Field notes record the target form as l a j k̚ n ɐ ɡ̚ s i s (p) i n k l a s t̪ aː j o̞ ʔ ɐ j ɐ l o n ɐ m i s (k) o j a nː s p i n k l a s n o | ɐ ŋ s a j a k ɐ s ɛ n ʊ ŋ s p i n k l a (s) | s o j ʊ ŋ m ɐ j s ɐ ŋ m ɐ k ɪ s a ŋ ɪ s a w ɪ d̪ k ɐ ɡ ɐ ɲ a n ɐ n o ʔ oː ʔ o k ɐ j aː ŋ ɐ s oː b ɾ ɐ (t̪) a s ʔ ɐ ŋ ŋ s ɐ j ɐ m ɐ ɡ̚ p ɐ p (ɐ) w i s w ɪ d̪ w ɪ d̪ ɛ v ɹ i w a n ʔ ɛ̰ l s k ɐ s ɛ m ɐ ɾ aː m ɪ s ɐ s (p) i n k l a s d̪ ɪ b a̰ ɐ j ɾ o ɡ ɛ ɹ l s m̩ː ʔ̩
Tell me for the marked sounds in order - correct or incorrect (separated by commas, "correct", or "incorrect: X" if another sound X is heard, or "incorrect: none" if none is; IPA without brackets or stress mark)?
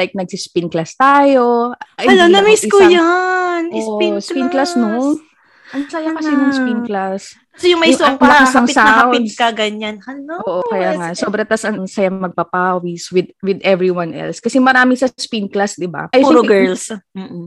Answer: correct, correct, correct, correct, incorrect: a, correct